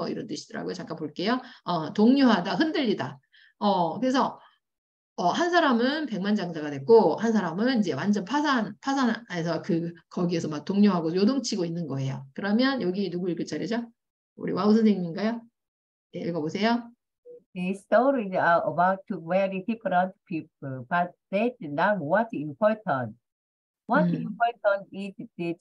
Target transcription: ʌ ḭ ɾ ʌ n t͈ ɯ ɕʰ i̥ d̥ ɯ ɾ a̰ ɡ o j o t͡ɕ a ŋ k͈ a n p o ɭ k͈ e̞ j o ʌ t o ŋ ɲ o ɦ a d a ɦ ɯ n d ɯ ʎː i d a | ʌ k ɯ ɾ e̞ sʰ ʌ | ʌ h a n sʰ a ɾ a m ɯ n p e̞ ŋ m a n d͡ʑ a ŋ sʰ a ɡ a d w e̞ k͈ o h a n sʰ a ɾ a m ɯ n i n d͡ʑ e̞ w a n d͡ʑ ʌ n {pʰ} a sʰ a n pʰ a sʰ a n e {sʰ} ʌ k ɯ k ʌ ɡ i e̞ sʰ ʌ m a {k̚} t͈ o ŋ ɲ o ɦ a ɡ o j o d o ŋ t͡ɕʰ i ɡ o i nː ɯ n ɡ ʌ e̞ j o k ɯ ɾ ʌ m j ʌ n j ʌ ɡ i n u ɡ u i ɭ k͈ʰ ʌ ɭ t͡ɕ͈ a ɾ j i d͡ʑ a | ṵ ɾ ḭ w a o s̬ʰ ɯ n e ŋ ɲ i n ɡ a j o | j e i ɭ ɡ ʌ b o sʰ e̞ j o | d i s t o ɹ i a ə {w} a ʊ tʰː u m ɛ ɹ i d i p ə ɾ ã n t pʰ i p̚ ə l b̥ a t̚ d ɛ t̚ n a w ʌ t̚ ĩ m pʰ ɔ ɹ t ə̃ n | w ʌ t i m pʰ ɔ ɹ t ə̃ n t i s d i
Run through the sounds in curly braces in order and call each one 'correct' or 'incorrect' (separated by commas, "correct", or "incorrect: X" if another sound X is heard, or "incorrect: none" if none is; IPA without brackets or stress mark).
correct, correct, correct, incorrect: b